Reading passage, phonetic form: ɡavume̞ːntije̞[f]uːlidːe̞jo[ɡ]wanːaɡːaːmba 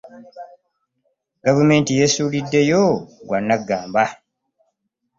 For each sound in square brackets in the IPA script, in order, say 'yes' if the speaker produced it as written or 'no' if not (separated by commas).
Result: no, yes